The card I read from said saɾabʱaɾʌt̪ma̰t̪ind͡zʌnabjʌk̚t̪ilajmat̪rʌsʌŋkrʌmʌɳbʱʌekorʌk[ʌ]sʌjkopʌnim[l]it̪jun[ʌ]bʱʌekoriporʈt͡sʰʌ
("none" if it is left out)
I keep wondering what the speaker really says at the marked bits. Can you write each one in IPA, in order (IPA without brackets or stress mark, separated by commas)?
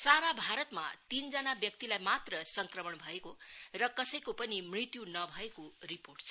ʌ, r, ʌ